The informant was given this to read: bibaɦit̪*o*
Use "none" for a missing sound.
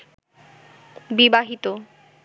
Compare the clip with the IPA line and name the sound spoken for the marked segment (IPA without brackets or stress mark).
o